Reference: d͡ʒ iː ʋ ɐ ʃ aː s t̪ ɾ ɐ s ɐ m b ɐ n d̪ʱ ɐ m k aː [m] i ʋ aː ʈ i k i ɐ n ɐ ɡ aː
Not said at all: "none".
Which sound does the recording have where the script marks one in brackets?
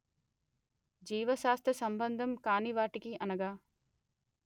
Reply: n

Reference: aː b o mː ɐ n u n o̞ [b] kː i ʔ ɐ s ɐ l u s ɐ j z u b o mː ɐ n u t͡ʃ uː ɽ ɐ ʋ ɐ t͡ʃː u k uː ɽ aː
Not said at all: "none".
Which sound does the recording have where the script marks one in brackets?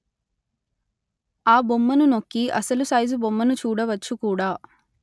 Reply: none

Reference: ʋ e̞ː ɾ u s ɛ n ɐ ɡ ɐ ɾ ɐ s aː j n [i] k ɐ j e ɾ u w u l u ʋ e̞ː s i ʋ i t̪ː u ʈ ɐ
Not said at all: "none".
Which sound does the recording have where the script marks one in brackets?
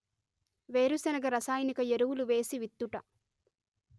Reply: i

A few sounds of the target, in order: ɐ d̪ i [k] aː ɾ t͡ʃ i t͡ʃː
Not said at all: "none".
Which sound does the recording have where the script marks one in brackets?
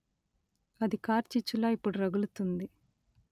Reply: k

